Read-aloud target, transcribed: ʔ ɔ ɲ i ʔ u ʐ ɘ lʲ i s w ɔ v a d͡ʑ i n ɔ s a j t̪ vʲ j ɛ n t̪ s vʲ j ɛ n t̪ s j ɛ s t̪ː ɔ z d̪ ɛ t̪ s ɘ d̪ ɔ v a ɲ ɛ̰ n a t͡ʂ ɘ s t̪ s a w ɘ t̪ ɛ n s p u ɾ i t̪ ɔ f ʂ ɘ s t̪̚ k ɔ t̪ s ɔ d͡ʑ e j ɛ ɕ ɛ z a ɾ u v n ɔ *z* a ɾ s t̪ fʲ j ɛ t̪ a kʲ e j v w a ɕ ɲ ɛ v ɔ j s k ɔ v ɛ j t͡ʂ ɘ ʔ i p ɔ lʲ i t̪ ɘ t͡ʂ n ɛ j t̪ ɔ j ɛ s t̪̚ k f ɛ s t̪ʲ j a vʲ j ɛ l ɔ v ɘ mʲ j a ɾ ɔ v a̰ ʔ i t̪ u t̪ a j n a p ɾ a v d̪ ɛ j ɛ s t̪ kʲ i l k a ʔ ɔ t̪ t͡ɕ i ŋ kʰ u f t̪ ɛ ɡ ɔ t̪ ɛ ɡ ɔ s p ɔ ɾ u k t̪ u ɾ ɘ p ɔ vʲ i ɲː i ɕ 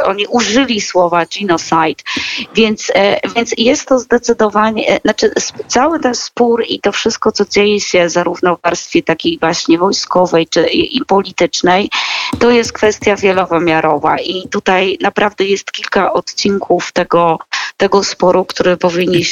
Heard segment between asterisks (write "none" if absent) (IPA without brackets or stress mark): v